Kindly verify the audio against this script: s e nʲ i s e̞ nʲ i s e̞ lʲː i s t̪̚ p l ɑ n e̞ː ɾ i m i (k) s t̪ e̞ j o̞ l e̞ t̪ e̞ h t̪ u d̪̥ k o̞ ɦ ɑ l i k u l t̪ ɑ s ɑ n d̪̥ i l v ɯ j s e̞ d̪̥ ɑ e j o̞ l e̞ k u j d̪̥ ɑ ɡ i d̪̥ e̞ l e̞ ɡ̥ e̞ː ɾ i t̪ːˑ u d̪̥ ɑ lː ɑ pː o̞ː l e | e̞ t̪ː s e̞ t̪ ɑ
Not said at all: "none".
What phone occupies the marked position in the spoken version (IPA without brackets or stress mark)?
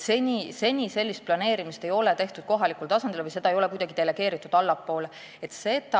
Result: none